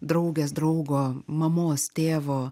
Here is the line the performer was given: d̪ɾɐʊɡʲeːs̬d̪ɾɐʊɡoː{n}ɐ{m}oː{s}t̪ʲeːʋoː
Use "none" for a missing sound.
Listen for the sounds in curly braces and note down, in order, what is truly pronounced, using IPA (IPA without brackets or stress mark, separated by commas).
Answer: m, m, s